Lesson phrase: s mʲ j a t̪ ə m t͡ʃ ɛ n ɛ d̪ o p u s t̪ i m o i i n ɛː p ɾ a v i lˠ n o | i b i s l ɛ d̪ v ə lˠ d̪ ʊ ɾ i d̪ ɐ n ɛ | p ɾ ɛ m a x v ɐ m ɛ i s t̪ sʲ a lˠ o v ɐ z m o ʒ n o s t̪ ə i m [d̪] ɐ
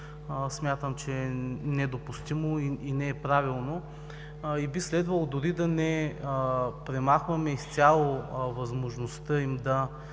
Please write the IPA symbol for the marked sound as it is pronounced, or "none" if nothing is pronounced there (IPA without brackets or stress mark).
d̪